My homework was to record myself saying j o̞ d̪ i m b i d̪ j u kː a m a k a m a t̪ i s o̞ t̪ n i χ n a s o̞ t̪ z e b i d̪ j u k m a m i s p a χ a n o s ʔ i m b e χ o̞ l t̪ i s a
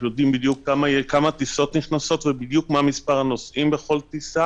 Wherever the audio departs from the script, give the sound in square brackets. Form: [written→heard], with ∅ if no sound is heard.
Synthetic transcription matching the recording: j o̞ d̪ i m b i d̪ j u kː a m a k a m a t̪ i s o̞ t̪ n i χ n a s o̞ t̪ [z→v] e b i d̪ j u k m a m i s p a [χ→ʁ] a n o s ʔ i m b e χ o̞ l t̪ i s a